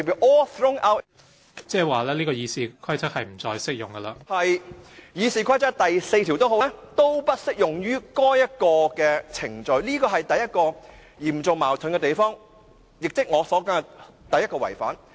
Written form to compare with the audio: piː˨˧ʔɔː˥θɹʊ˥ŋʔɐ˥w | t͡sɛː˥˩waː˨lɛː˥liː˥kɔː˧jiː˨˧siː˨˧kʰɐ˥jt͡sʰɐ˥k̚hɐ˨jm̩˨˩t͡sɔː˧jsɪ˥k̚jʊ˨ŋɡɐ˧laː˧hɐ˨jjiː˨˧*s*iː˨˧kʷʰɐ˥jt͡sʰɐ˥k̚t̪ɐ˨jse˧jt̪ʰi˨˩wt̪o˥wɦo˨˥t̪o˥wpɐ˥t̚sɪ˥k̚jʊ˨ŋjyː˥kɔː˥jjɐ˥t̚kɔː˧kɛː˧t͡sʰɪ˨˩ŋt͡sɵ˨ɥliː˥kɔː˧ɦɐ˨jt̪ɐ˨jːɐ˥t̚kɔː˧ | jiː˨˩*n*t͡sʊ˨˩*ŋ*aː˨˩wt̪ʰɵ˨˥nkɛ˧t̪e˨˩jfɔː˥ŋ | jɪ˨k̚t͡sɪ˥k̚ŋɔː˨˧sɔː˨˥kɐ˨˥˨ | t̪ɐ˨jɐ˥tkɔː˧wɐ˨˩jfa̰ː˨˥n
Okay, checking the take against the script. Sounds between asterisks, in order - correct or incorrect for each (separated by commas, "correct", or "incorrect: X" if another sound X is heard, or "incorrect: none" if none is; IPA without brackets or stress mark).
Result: correct, incorrect: m, incorrect: m